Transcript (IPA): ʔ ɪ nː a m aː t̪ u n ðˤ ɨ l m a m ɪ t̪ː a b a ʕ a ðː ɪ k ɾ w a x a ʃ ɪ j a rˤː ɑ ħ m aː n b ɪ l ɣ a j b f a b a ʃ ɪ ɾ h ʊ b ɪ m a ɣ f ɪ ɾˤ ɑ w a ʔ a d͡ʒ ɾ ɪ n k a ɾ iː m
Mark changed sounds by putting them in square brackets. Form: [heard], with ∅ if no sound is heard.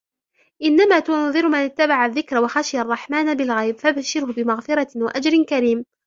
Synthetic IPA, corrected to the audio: ʔ ɪ nː a m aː t̪ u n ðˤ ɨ [ɾ] m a [n] ɪ t̪ː a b a ʕ a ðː ɪ k ɾ w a x a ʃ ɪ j a rˤː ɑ ħ m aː n b ɪ l ɣ a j b f a b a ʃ ɪ ɾ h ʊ b ɪ m a ɣ f ɪ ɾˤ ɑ w a ʔ a d͡ʒ ɾ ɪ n k a ɾ iː m

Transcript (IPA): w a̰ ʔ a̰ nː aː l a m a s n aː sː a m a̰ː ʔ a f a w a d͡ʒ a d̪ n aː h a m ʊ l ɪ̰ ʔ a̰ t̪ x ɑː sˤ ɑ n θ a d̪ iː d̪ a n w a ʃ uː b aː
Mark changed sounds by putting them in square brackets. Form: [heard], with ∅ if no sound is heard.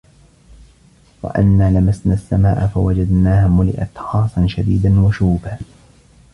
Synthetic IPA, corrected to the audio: w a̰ ʔ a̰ nː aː l a m a s n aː sː a m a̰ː ʔ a f a w a d͡ʒ a d̪ n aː h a m ʊ l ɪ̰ ʔ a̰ t̪ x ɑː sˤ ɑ n [ʃ] a d̪ iː d̪ a n w a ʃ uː b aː

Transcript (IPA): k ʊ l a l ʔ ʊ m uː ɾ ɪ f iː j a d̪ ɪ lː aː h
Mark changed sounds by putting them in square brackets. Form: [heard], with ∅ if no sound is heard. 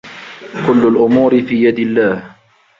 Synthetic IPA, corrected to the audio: k ʊ [lː] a l ʔ ʊ m uː ɾ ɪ f iː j a d̪ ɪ lː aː h

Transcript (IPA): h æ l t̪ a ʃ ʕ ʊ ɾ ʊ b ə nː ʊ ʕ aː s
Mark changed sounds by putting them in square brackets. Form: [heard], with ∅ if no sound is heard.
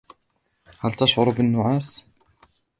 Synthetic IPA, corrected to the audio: h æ l t̪ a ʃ ʕ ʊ ɾ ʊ b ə nː ʊ ʕ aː s

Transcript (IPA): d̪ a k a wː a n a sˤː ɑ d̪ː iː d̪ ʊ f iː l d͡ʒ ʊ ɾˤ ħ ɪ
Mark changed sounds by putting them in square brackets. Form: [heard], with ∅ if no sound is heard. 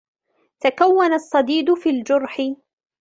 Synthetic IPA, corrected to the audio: [t̪] a k a wː a n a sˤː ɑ [d̪] iː d̪ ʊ f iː l d͡ʒ ʊ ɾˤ ħ ɪ

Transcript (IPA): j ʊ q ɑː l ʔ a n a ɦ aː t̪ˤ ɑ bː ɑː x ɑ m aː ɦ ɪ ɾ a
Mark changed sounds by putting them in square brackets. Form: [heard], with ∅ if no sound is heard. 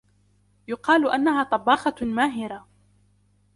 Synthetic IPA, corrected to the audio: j ʊ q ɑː l ʔ a [nː] a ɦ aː t̪ˤ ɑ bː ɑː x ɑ m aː ɦ ɪ ɾ a

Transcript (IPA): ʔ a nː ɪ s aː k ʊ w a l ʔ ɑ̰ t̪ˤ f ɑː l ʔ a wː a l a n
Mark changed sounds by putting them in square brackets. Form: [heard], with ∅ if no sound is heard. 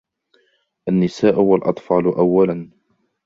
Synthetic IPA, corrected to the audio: ʔ a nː ɪ s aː [ʔ] ʊ w a l ʔ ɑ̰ t̪ˤ f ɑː l ʔ a wː a l a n

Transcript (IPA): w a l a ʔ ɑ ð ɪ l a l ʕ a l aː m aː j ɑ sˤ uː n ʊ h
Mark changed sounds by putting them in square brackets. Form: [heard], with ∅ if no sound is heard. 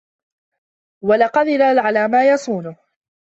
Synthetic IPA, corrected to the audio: w a l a [q] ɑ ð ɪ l a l ʕ a l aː m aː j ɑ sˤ uː n ʊ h

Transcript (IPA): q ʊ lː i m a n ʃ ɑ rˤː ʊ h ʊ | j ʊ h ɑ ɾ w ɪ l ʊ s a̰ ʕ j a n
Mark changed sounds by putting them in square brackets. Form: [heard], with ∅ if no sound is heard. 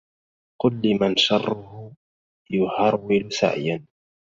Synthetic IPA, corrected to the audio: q ʊ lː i m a n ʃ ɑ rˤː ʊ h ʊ | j ʊ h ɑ ɾ w ɪ l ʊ s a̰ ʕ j a n

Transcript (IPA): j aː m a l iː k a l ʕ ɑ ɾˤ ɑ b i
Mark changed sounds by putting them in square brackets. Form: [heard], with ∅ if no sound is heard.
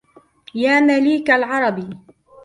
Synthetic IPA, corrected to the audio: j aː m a l iː k a l ʕ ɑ ɾˤ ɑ b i

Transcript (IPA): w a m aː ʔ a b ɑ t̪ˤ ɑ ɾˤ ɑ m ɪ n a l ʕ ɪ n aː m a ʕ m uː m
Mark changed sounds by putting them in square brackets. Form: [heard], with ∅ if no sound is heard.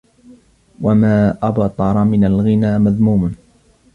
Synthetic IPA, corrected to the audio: w a m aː ʔ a b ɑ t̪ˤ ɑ ɾˤ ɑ m ɪ n a l [ɣ] ɪ n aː m a [ð] m uː m

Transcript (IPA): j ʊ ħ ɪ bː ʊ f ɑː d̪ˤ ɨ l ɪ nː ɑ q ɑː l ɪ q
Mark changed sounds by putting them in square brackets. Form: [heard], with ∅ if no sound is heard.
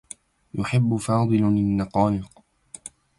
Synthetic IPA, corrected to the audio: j ʊ ħ ɪ bː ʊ f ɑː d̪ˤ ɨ l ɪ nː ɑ q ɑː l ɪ q

